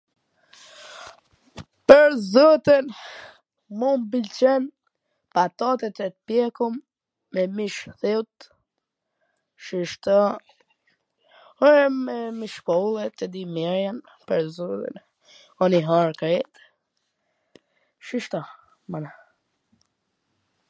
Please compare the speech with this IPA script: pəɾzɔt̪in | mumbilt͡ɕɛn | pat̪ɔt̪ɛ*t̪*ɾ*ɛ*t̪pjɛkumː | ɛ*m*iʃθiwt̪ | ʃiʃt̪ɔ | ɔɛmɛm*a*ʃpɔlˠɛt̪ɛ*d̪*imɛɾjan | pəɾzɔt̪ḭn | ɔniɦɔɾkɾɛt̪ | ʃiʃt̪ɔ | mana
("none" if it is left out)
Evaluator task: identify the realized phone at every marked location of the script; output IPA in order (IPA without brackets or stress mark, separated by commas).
t̪, ɛ, m, i, d̪